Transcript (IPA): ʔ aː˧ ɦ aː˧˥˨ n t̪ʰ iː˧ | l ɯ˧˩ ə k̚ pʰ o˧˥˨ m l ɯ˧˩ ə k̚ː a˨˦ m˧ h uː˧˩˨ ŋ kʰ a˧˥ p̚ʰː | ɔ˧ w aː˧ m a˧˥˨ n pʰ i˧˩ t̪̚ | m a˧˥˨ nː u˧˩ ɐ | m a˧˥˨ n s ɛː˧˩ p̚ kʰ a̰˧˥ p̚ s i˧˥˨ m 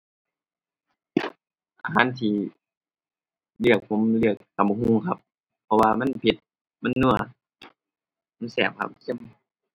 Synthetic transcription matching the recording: ʔ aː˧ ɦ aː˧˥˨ n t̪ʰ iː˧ | l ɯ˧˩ ə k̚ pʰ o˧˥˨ m l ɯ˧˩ ə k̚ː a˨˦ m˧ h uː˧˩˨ ŋ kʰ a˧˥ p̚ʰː | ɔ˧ w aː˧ m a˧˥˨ n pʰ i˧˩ t̪̚ | m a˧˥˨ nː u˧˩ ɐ | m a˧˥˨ n s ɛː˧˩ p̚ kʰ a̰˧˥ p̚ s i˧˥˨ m